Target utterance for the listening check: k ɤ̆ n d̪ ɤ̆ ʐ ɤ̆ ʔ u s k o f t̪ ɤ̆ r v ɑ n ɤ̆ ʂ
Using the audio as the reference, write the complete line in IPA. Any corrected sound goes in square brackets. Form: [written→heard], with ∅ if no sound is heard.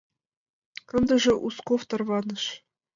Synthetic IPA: k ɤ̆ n d̪ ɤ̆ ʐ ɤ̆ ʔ u s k o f t̪ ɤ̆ r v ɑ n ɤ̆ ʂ